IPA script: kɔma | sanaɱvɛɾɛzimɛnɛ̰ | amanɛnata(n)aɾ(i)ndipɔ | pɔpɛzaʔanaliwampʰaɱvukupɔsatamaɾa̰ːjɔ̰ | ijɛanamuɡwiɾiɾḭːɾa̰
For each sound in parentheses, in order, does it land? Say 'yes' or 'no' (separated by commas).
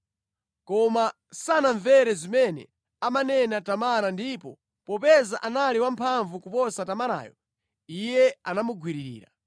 no, no